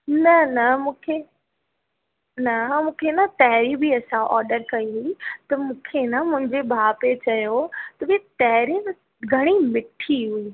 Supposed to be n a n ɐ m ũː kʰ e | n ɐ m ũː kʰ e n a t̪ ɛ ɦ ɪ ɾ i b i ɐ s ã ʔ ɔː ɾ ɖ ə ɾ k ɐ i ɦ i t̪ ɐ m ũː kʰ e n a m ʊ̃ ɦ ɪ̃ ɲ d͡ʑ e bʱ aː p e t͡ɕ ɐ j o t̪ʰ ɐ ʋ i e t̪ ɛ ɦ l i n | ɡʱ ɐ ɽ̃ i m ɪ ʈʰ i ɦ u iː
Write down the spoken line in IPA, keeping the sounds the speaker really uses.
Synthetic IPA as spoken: n ɐ n ɐ m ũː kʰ e | n ɐ m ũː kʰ e n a t̪ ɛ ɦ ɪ ɾ i b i ɐ s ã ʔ ɔː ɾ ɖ ə ɾ k ɐ i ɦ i t̪ ɐ m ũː kʰ e n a m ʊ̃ ɦ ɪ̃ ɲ d͡ʑ e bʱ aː p e t͡ɕ ɐ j o t̪ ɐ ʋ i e t̪ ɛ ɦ ɾ i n | ɡʱ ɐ ɽ̃ i m ɪ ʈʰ i ɦ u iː